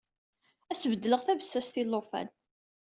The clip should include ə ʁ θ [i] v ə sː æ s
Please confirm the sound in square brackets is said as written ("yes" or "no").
no